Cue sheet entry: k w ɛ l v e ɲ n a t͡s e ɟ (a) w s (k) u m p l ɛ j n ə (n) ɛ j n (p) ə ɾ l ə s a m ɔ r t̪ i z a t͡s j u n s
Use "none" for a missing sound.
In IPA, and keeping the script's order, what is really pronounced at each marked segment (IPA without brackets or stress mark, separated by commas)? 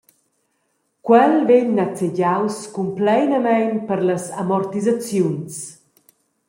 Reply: a, k, m, p